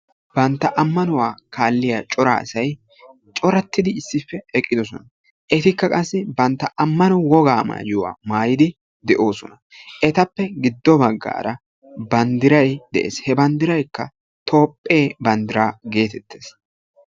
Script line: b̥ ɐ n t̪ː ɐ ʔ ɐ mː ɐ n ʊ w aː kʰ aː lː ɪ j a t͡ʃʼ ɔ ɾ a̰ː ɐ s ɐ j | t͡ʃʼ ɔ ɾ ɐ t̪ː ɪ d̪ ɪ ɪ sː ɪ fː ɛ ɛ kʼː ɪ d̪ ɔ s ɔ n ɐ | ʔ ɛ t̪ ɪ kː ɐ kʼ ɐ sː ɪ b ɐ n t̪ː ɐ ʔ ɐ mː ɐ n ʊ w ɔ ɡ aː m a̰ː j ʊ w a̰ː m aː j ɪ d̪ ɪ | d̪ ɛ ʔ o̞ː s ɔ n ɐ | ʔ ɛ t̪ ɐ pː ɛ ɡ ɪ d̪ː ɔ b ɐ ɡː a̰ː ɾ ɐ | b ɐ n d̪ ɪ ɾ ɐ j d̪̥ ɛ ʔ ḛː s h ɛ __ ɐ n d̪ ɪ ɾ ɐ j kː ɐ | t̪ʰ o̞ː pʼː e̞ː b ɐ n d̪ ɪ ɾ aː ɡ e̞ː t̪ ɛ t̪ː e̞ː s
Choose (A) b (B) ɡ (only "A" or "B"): A